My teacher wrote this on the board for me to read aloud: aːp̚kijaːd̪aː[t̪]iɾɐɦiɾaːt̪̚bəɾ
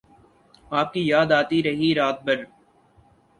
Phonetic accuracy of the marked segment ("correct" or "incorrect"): correct